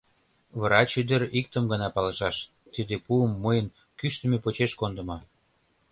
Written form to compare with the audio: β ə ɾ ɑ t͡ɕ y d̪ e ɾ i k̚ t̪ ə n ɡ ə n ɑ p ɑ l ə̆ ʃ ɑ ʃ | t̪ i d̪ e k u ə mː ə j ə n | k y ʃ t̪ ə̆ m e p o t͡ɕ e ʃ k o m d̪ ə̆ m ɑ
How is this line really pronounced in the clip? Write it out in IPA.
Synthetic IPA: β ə ɾ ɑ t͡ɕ y d̪ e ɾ i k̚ t̪ ə m ɡ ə n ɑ p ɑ l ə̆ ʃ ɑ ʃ | t̪ i d̪ e p u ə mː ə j ə n | k y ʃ t̪ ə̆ m e p o t͡ɕ e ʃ k o n d̪ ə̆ m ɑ